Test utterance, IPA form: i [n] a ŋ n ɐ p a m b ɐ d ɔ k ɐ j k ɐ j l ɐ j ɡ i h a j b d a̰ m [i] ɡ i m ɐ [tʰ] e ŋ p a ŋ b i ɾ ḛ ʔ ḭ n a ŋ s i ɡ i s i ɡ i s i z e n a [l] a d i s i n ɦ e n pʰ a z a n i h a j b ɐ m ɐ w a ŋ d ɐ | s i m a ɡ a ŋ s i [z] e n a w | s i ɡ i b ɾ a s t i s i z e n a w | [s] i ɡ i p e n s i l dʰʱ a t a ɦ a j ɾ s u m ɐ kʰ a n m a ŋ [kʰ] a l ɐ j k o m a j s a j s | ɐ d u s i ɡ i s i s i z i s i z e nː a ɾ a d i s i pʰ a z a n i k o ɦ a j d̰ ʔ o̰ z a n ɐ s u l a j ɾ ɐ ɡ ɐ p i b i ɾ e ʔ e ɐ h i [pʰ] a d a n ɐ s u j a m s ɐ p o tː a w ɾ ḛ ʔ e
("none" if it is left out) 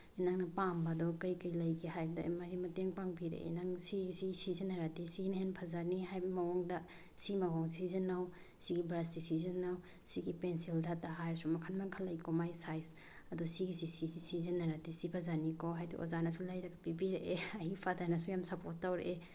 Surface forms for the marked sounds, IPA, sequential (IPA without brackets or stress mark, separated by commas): n, a, t, ɾ, z, s, kʰ, pʰ